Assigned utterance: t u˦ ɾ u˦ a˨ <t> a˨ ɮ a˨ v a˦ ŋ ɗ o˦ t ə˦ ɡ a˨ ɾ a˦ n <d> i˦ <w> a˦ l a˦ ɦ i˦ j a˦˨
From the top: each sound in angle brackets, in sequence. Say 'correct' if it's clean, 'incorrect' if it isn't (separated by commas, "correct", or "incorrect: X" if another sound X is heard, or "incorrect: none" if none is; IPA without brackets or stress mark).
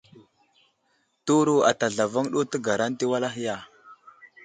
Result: correct, incorrect: t, correct